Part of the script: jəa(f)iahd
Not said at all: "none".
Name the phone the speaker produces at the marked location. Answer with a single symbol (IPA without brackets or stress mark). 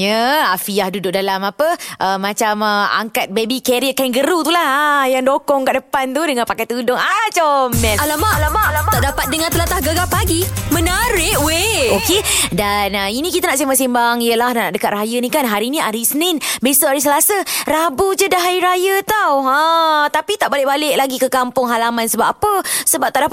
f